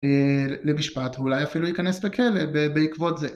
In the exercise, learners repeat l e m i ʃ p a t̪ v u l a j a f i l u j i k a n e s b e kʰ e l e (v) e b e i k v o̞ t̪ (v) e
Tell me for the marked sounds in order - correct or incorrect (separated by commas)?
incorrect, incorrect